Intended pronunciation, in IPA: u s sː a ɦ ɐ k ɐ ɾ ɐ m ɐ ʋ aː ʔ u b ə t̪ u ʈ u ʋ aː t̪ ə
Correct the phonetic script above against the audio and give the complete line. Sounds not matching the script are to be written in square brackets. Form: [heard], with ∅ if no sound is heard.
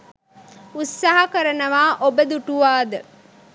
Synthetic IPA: u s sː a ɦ ɐ k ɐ ɾ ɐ [n] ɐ ʋ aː ʔ [o] b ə [d̪] u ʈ u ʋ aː [d̪] ə